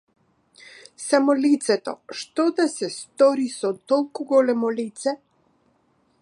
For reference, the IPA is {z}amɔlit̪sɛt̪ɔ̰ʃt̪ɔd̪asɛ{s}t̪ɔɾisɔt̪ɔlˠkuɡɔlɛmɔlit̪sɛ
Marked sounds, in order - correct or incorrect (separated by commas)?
incorrect, correct